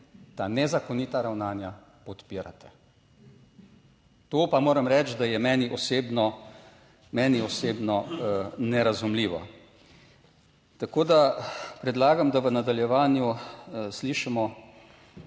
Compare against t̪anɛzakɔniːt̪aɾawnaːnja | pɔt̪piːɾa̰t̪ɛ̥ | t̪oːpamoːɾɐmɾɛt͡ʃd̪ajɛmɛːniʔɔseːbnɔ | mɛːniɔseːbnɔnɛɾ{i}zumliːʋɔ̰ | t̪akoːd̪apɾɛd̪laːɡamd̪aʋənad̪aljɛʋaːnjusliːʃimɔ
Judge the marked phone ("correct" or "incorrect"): incorrect